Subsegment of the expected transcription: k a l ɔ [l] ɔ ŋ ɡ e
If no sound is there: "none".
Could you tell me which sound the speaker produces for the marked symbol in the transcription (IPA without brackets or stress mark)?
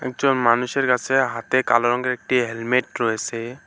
ɾ